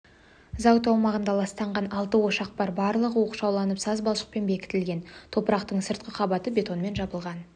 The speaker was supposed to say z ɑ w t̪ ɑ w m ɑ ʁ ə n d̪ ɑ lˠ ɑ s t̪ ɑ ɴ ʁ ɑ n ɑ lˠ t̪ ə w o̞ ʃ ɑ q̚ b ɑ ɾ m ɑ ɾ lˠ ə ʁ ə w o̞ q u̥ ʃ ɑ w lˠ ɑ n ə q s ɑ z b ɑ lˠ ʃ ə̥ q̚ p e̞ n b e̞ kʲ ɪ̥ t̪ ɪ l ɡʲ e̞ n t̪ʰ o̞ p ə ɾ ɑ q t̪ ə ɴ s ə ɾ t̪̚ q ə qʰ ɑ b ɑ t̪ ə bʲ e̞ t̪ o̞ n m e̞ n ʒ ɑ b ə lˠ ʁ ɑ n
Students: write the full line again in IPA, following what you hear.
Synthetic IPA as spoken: z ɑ w t̪ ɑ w m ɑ ʁ ə n d̪ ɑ lˠ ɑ s t̪ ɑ ɴ ʁ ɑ n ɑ lˠ t̪ ə w o̞ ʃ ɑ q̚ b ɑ ɾ b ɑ ɾ lˠ ə ʁ ə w o̞ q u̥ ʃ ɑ w lˠ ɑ n ə p s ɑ z b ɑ lˠ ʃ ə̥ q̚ p e̞ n b e̞ kʲ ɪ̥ t̪ ɪ l ɡʲ e̞ n t̪ʰ o̞ p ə ɾ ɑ q t̪ ə ɴ s ə ɾ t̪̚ q ə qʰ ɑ b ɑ t̪ ə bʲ e̞ t̪ o̞ n m e̞ n ʒ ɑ b ə lˠ ʁ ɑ n